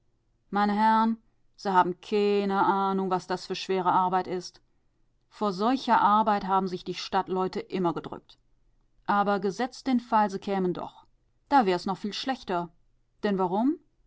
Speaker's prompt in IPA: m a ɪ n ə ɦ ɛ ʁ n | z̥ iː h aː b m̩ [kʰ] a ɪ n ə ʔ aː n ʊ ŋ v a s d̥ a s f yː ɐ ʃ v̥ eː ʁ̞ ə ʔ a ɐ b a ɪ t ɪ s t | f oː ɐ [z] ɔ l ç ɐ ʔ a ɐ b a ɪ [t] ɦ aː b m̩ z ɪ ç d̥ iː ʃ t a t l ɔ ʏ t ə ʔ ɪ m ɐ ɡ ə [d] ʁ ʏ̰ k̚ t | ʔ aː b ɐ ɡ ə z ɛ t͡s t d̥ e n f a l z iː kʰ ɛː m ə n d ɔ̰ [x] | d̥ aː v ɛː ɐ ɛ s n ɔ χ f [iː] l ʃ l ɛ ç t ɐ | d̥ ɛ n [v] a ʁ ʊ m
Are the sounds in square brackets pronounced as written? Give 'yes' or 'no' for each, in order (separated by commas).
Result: yes, yes, yes, yes, no, yes, yes